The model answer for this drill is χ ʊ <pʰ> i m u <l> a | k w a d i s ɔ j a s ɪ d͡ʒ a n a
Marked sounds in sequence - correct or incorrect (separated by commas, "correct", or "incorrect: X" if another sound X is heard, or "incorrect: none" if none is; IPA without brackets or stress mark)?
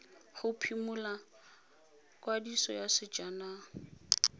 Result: correct, correct